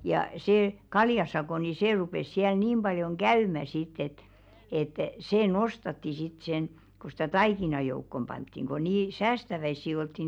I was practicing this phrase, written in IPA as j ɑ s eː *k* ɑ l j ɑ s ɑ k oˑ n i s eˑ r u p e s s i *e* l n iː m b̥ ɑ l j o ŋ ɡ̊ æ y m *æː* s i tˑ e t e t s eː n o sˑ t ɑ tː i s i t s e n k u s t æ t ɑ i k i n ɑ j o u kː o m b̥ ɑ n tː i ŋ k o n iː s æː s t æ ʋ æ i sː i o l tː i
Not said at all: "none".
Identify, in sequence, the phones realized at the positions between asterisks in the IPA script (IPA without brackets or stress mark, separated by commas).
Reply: k, æ, æ